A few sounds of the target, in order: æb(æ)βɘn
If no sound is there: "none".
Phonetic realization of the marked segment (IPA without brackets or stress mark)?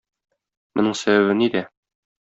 æ